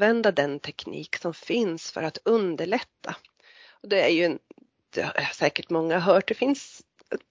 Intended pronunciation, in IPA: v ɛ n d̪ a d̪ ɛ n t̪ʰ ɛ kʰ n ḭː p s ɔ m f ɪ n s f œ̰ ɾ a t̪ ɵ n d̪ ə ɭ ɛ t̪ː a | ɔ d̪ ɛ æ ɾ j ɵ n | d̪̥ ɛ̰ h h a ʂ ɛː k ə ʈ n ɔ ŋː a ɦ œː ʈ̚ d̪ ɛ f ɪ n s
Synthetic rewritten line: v ɛ n d̪ a d̪ ɛ n t̪ʰ ɛ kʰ n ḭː k s ɔ m f ɪ n s f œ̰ ɾ a t̪ ɵ n d̪ ə ɭ ɛ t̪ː a | ɔ d̪ ɛ æ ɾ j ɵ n | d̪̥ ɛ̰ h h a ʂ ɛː k ə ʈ m ɔ ŋː a ɦ œː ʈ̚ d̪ ɛ f ɪ n s